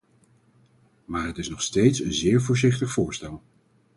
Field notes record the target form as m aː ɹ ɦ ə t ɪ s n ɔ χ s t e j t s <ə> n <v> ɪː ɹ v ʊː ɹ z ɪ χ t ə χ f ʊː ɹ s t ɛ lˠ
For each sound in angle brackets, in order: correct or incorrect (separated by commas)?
correct, incorrect